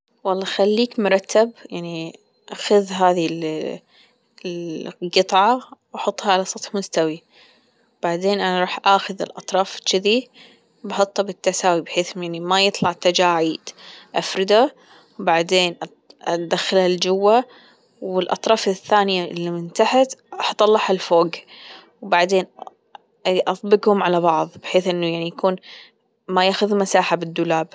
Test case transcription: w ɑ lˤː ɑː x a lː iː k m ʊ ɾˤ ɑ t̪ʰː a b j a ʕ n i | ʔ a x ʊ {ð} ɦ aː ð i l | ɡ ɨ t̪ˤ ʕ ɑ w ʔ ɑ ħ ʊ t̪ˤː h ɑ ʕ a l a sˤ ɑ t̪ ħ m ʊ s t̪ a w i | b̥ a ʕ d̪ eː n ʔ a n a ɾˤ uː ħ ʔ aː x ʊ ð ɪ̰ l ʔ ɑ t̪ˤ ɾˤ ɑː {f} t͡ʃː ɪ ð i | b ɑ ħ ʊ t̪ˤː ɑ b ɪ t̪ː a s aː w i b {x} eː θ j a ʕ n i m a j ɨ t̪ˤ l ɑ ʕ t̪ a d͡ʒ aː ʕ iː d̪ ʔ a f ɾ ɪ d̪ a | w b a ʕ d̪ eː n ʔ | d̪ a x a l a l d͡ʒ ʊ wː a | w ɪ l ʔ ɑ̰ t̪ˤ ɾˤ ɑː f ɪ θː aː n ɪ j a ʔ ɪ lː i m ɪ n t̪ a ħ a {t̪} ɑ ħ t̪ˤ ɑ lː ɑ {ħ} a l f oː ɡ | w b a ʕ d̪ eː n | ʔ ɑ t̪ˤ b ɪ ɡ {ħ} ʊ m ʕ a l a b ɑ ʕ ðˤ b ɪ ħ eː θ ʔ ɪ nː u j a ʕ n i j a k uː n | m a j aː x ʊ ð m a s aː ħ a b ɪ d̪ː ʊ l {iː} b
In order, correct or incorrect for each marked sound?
correct, correct, incorrect: ħ, correct, correct, incorrect: h, incorrect: aː

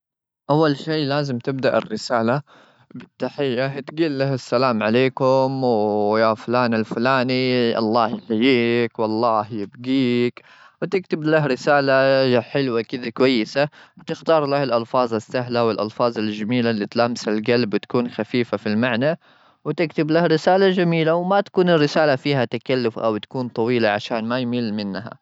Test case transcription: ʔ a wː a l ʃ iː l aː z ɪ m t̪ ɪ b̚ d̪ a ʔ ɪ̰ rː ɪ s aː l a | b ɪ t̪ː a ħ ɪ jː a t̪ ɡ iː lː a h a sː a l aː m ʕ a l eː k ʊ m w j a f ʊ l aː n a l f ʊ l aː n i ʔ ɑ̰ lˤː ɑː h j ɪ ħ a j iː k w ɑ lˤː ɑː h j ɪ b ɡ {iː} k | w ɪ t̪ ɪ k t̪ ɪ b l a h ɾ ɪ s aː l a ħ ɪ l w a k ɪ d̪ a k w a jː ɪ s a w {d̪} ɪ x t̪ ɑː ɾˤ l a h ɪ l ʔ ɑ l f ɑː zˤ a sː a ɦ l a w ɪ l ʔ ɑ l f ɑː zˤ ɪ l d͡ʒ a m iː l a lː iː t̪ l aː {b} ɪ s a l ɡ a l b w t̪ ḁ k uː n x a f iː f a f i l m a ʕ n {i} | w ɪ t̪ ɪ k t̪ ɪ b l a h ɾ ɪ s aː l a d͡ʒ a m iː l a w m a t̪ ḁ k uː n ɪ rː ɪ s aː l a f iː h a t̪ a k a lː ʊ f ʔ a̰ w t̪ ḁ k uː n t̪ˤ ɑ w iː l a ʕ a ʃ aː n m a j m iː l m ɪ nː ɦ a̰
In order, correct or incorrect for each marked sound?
correct, incorrect: t̪, incorrect: m, incorrect: a

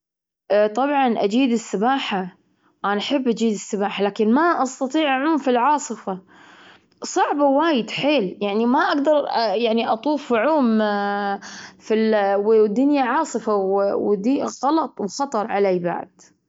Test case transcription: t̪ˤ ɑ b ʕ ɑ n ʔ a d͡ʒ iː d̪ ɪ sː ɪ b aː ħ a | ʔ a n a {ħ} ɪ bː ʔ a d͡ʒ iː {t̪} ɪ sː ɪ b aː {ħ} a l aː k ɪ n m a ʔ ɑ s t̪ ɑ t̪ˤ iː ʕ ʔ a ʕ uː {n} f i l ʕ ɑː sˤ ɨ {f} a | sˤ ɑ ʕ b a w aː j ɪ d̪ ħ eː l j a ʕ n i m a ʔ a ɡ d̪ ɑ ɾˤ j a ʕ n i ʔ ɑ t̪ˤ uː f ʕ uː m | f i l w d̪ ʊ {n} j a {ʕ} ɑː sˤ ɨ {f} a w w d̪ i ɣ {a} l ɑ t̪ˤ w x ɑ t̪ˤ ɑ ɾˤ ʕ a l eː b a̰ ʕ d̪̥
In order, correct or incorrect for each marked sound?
correct, incorrect: d̪, correct, incorrect: m, correct, correct, correct, correct, incorrect: ɑ

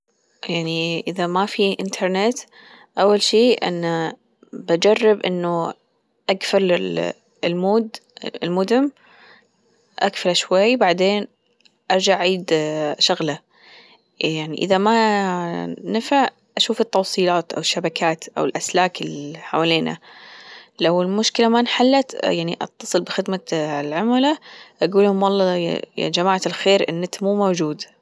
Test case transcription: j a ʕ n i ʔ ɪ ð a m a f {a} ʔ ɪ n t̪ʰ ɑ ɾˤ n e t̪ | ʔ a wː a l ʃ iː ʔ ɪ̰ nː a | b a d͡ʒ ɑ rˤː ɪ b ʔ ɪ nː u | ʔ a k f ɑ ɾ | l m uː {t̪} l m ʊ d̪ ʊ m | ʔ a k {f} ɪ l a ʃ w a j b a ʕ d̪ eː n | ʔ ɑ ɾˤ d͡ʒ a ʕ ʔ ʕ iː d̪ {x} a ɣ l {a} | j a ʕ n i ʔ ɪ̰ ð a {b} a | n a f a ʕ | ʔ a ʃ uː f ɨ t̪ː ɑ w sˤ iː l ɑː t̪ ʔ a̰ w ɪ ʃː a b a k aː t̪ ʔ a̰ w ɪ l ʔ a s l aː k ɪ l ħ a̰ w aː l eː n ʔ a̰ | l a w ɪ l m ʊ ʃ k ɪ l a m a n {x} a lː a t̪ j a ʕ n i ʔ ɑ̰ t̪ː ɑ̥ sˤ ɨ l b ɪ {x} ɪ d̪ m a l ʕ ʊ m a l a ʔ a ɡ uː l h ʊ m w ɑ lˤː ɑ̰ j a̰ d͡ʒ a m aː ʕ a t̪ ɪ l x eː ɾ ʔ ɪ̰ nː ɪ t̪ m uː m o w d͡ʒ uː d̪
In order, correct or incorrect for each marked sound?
incorrect: i, incorrect: d̪, correct, incorrect: ʃ, correct, incorrect: m, incorrect: ħ, correct

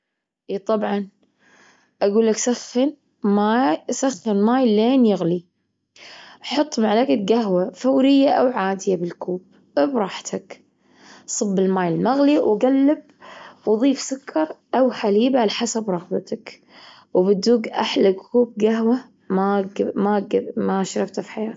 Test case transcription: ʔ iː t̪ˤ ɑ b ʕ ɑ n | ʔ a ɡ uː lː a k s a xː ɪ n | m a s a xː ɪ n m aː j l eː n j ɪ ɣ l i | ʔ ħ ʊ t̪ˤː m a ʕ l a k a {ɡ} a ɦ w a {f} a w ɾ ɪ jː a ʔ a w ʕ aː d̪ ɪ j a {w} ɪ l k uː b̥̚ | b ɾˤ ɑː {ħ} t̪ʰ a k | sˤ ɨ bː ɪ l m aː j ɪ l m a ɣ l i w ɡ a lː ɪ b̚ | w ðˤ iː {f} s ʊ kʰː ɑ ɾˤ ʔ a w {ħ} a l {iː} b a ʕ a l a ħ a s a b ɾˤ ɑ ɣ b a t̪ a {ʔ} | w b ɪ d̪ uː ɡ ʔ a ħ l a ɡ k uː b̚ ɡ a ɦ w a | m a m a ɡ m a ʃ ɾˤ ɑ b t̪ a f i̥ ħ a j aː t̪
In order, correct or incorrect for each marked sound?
correct, correct, incorrect: b, correct, correct, correct, correct, incorrect: k

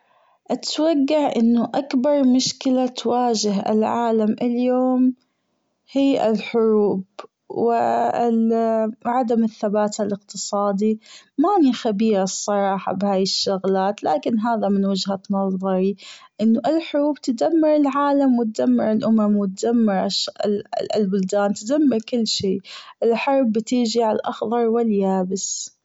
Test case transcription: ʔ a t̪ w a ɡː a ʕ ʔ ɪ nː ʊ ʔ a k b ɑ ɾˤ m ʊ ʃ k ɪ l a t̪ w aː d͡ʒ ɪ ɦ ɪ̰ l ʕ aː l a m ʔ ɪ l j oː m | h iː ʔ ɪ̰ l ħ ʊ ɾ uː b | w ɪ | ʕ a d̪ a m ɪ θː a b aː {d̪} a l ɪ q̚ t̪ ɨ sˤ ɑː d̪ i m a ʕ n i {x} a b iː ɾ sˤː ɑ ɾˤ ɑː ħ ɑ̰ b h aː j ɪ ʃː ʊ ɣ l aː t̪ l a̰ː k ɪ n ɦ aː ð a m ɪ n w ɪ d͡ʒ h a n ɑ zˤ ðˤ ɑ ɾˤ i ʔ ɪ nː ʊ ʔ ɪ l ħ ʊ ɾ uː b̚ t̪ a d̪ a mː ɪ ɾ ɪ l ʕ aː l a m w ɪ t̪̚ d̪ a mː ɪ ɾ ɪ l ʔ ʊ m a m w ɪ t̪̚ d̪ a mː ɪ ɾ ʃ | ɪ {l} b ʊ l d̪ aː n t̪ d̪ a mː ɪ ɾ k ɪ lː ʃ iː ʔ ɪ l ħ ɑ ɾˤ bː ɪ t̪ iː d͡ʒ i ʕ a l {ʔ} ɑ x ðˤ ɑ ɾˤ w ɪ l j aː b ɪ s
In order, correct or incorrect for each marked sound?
incorrect: t̪, correct, correct, correct

